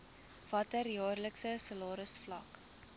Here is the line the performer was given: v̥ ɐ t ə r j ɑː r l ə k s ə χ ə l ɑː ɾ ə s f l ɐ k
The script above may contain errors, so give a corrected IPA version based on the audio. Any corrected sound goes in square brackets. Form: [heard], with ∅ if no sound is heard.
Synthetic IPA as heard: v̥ ɐ t ə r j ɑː r l ə k s ə [s] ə l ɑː ɾ ə s f l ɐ k